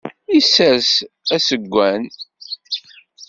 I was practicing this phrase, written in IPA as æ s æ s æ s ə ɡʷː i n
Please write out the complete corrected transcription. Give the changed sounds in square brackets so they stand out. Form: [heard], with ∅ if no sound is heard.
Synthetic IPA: [i] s æ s æ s ə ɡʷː [æ] n